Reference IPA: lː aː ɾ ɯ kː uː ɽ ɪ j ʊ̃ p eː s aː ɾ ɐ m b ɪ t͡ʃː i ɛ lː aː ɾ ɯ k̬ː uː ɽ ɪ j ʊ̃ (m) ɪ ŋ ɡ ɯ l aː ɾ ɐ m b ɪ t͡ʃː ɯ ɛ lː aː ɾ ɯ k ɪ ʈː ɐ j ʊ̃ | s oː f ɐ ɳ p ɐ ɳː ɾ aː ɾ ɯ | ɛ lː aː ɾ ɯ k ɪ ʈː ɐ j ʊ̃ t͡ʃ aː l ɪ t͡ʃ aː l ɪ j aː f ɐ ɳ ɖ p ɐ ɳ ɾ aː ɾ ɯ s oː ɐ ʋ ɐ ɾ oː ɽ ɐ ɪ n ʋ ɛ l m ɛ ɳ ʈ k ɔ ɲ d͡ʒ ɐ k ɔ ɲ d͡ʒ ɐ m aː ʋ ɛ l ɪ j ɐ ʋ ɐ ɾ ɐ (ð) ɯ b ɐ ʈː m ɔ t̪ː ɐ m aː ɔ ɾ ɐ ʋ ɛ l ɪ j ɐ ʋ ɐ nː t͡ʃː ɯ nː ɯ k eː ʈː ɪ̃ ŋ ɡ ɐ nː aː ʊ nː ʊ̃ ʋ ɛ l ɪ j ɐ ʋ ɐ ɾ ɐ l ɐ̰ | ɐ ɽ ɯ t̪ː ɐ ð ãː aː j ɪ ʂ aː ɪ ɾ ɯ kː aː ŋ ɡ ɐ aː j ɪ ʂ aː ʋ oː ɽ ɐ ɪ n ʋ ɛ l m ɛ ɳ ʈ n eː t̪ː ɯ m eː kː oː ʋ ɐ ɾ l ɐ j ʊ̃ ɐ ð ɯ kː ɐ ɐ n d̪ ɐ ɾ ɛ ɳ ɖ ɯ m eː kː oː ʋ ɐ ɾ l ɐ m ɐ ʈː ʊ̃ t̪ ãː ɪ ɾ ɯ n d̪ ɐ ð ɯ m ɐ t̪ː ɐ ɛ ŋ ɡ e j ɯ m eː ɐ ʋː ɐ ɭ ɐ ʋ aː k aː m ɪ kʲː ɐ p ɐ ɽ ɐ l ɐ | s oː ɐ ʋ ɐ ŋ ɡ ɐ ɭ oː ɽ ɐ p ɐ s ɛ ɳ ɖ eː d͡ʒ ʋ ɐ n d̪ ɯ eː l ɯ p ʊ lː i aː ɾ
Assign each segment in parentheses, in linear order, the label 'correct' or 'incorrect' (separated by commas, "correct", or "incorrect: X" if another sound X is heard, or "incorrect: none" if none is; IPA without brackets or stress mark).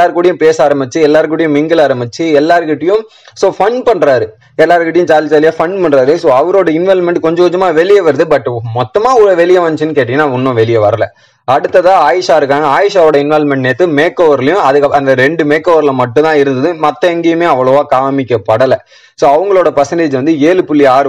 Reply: correct, correct